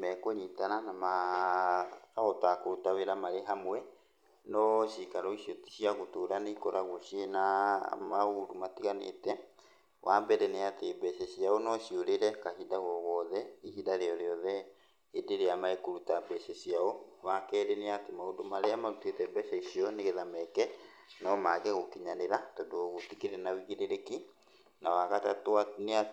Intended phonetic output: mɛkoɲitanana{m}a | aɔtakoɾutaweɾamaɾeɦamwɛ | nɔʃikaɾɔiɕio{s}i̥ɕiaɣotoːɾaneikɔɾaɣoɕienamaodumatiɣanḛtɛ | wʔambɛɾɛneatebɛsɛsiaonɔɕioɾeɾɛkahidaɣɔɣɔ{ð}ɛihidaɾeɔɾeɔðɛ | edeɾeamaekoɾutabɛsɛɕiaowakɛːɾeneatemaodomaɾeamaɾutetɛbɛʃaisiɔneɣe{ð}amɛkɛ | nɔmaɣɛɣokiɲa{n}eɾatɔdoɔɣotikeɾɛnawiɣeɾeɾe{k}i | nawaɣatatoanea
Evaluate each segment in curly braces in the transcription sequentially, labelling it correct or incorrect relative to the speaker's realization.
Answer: correct, incorrect: t, correct, correct, correct, correct

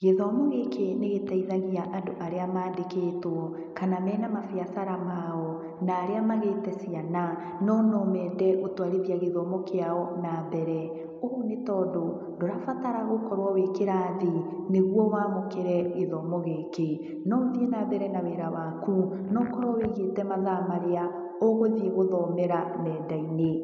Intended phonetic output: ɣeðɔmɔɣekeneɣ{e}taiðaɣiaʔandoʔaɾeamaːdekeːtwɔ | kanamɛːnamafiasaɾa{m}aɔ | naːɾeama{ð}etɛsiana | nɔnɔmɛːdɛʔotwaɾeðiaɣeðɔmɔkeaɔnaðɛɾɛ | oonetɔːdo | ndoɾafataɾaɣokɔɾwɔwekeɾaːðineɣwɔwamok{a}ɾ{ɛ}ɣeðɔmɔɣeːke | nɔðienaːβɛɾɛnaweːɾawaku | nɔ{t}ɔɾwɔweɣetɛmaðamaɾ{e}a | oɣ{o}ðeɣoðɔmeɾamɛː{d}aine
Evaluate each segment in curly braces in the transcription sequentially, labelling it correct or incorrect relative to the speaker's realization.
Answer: correct, correct, incorrect: ɣ, incorrect: e, correct, incorrect: k, correct, correct, correct

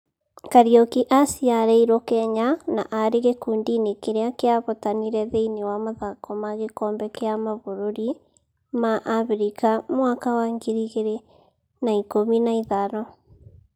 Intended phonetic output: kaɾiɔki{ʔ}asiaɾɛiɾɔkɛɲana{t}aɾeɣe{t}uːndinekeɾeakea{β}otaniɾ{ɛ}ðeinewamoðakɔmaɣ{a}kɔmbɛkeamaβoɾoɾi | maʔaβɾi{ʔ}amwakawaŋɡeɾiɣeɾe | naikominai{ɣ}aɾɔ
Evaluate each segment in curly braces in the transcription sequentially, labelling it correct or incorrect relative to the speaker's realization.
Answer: correct, incorrect: ʔ, incorrect: k, correct, correct, incorrect: e, incorrect: k, incorrect: ð

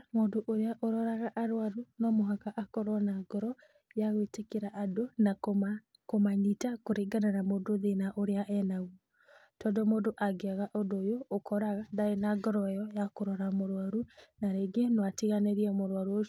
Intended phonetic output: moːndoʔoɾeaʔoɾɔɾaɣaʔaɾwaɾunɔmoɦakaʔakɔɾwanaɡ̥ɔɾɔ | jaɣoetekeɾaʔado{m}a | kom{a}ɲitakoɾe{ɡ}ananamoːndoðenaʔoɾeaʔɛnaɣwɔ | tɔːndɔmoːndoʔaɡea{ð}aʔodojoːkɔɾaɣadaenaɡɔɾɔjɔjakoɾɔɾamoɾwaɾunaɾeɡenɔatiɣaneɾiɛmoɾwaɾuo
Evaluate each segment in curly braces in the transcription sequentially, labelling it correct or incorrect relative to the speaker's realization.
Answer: incorrect: n, correct, correct, incorrect: ɣ

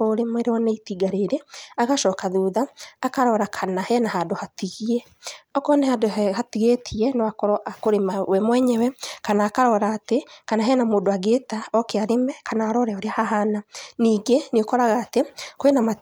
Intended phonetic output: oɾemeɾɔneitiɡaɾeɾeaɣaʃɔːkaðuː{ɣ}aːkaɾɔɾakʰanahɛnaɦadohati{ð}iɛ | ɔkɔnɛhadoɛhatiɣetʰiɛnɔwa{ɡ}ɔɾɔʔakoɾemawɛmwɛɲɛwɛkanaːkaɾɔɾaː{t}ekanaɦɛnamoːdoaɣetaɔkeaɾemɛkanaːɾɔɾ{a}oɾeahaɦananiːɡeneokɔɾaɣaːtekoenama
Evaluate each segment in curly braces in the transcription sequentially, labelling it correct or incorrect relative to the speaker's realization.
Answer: incorrect: ð, incorrect: ɣ, incorrect: k, correct, incorrect: ɛ

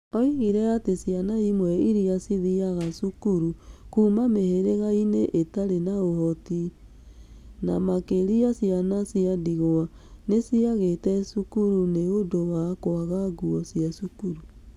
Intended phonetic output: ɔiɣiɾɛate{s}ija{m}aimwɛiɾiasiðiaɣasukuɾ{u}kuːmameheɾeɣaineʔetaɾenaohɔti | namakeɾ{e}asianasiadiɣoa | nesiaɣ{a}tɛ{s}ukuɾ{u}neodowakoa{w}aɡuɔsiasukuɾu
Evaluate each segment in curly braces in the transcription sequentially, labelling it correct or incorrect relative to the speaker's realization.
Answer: correct, incorrect: n, correct, incorrect: i, incorrect: e, correct, correct, incorrect: ɣ

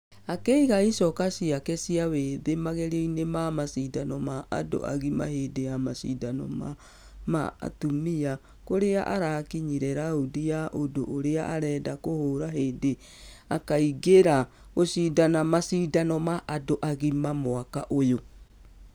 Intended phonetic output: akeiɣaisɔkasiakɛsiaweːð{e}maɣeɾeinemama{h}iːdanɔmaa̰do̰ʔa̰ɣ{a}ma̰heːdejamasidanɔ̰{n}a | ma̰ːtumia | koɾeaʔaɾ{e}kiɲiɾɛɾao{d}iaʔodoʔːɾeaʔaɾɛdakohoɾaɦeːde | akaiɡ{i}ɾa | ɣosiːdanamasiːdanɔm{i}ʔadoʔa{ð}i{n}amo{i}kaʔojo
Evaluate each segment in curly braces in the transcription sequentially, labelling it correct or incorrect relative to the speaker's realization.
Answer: correct, incorrect: s, incorrect: i, incorrect: m, incorrect: a, correct, incorrect: e, incorrect: a, incorrect: ɣ, incorrect: m, incorrect: a

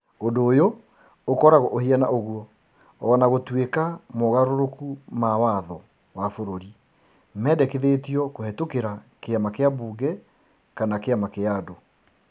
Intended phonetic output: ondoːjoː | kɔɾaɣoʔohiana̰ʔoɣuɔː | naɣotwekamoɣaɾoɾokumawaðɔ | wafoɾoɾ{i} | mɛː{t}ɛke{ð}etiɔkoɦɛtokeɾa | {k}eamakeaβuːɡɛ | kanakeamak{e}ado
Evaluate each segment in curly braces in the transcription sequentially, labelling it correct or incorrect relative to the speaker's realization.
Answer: correct, incorrect: d, correct, correct, correct

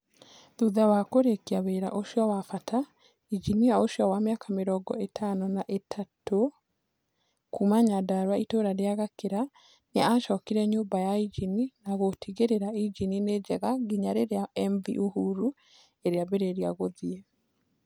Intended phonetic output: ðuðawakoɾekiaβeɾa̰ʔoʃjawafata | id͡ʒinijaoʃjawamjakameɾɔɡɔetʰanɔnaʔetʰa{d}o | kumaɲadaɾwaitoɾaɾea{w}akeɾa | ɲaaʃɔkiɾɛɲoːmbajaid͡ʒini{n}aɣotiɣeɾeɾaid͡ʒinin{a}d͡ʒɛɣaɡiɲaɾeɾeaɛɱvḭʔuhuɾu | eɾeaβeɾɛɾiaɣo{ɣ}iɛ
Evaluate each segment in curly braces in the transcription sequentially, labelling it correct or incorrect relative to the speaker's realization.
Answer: incorrect: t, incorrect: ɣ, correct, incorrect: e, incorrect: ð

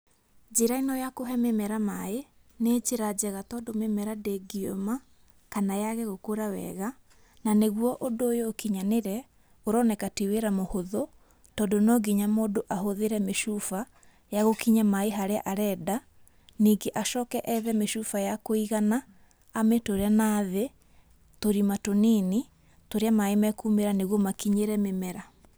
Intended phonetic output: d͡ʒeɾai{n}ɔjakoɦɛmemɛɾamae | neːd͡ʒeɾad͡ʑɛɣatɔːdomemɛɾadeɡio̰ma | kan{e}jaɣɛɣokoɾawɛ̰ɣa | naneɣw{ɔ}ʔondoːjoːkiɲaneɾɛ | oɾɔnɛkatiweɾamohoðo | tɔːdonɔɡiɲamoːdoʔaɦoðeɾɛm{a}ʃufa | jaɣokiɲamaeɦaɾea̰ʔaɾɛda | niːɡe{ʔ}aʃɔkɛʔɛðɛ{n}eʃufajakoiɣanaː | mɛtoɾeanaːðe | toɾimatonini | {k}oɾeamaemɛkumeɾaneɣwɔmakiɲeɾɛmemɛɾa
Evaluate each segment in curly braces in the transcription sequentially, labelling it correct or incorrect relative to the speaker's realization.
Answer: correct, incorrect: a, correct, incorrect: e, correct, incorrect: m, incorrect: t

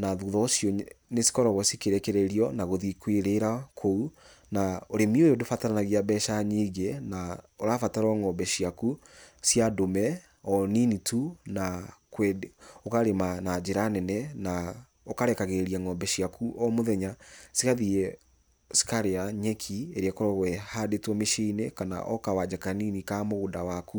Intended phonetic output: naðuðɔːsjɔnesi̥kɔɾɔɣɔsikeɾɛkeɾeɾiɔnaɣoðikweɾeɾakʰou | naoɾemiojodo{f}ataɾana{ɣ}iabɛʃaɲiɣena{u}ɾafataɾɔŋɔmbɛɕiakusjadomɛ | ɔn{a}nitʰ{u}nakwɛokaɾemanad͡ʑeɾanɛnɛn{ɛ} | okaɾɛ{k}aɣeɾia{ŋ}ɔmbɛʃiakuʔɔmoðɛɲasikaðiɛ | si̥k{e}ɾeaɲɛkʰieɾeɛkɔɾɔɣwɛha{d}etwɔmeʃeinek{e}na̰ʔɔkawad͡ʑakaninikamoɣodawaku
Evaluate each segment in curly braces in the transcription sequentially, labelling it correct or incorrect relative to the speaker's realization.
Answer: correct, correct, incorrect: o, incorrect: i, correct, incorrect: a, correct, correct, incorrect: a, correct, incorrect: a

